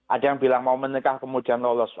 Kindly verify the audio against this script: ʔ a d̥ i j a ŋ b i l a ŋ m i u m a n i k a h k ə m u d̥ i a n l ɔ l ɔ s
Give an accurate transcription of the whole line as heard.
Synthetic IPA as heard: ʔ a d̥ a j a ŋ b i l a ŋ m a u m ə n i k a h k ə m u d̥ i a n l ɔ l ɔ s